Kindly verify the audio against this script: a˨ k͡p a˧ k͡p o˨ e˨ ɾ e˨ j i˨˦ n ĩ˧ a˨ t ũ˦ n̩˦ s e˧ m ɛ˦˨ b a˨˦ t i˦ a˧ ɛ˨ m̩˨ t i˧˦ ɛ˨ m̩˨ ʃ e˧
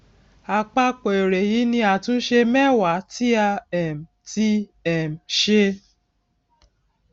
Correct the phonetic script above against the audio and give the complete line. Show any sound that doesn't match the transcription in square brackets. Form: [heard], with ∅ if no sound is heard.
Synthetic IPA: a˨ k͡p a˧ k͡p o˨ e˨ ɾ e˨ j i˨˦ n ĩ˧ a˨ t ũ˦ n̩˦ [ʃ] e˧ m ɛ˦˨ [w] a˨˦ t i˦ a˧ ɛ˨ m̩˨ t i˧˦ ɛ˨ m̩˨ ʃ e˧